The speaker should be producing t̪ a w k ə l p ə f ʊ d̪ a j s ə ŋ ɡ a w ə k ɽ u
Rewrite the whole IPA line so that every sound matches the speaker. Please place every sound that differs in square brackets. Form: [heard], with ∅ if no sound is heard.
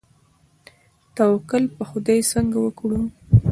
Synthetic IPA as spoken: t̪ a w k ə l p ə [x] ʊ d̪ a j s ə ŋ ɡ a w ə k ɽ u